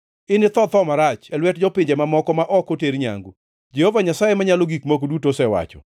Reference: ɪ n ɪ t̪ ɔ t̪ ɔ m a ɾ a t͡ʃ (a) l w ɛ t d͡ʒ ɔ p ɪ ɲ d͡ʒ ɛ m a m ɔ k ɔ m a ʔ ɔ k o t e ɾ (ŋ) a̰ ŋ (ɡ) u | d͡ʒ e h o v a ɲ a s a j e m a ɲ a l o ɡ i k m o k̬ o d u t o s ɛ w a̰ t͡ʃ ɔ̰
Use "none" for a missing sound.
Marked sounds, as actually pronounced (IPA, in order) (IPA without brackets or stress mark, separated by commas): ɛ, ɲ, ɡ